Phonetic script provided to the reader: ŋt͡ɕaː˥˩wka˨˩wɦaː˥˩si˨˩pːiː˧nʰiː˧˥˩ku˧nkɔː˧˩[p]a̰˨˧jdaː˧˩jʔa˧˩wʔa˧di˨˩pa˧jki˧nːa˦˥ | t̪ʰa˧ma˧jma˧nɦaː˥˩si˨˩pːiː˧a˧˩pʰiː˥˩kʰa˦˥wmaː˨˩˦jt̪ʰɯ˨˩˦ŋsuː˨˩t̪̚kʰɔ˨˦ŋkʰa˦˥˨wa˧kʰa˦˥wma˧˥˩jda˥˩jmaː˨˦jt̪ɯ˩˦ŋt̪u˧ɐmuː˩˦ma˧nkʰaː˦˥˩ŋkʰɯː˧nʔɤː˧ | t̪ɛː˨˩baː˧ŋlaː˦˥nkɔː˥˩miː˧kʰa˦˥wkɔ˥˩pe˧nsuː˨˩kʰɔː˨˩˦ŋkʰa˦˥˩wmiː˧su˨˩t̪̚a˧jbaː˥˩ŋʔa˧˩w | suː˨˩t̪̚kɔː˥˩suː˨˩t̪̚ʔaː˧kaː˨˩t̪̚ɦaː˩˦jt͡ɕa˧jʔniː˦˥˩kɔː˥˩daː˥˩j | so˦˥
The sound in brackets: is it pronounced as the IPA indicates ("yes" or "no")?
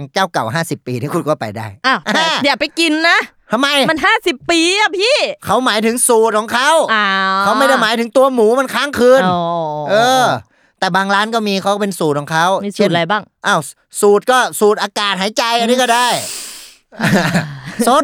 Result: yes